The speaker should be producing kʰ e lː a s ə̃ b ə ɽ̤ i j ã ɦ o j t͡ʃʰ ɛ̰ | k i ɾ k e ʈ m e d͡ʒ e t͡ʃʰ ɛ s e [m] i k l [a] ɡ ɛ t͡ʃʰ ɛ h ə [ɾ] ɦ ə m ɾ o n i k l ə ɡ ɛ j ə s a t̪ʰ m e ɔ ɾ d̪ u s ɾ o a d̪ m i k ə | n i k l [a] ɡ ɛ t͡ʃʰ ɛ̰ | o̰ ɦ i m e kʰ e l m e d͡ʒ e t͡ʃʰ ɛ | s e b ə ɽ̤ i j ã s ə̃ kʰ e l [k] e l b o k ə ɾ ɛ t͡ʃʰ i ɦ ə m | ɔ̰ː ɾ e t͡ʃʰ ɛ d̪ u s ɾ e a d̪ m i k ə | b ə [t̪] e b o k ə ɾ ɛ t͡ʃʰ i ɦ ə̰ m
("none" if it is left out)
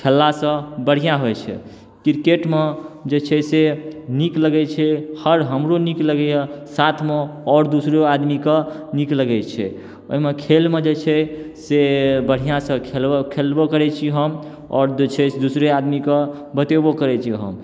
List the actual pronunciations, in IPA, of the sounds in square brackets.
n, ə, ɾ, ə, kʰ, t̪

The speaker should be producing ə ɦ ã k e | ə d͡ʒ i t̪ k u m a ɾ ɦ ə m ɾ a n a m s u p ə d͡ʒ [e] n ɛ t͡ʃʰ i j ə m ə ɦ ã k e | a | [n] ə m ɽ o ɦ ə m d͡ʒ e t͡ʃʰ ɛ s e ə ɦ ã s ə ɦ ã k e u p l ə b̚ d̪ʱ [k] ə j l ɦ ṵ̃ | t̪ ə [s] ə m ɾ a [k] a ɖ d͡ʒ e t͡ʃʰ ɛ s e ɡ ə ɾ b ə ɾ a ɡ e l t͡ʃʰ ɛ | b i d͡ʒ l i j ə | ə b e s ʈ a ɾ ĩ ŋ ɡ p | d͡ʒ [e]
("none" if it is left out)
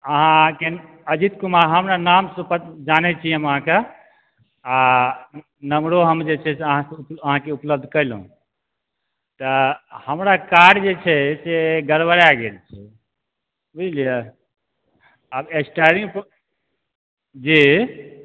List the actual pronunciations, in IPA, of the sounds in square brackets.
a, n, k, h, k, i

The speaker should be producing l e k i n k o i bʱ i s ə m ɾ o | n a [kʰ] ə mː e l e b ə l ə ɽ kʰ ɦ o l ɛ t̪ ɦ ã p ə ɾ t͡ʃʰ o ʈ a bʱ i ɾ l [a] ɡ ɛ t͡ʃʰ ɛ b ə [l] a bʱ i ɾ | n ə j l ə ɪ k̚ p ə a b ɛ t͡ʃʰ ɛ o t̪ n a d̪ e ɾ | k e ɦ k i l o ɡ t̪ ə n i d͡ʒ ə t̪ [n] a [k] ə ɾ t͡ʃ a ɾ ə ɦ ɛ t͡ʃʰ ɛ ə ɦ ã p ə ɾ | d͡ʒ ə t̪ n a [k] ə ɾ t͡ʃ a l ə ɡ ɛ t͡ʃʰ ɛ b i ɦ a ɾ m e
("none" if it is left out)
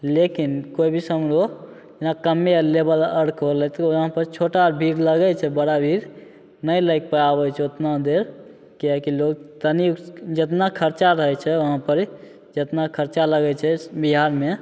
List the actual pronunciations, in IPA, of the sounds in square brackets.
k, ə, ɽ, n, kʰ, kʰ

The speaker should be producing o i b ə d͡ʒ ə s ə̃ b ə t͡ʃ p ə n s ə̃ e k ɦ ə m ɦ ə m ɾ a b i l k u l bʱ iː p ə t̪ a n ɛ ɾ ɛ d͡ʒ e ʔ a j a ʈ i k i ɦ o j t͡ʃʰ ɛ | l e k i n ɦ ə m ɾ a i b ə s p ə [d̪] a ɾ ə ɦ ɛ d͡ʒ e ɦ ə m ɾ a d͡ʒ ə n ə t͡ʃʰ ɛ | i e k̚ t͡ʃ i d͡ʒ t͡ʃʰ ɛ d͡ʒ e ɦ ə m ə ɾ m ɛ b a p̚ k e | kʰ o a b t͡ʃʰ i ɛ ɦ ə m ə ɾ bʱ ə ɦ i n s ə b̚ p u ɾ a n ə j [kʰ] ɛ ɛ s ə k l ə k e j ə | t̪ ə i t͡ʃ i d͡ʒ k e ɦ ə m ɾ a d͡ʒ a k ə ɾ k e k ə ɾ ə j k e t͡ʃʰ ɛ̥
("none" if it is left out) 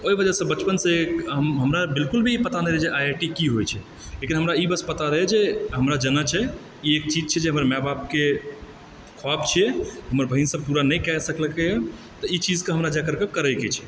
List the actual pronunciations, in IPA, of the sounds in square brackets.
t̪, k

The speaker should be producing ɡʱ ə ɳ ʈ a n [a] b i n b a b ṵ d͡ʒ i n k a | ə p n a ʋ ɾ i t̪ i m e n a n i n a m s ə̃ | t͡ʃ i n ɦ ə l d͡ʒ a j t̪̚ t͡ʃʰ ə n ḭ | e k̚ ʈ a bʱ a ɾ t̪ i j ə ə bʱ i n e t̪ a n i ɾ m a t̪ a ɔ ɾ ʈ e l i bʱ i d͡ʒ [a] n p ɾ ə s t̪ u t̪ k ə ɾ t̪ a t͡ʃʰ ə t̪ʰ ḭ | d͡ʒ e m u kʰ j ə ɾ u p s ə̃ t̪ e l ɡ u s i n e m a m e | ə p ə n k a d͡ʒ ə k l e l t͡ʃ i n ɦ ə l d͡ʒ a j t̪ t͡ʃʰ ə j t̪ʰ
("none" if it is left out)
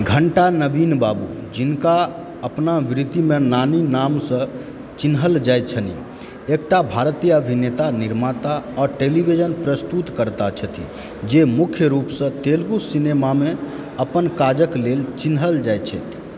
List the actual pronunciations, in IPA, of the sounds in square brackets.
ə, ə

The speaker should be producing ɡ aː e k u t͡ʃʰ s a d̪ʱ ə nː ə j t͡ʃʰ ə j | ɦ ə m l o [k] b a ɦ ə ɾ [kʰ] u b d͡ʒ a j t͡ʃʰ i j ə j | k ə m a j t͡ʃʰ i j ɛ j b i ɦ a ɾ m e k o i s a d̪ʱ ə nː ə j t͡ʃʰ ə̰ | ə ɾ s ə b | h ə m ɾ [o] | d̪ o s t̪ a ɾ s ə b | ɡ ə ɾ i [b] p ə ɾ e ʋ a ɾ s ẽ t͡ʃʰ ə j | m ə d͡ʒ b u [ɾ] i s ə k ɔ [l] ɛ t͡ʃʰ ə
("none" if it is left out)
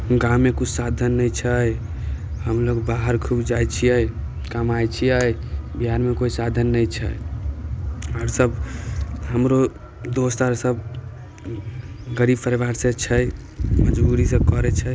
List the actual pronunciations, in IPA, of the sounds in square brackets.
ɡ, kʰ, o, b, ɾ, ɾ

